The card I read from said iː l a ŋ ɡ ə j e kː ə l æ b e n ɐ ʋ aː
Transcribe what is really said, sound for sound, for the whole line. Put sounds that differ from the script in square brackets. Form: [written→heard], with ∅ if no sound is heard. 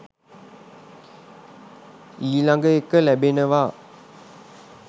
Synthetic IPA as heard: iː l a ŋ ɡ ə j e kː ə l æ b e n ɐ ʋ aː